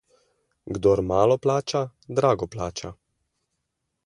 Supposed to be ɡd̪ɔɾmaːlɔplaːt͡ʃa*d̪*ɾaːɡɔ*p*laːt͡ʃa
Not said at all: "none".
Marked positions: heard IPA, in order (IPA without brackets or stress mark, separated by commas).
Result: d̪, p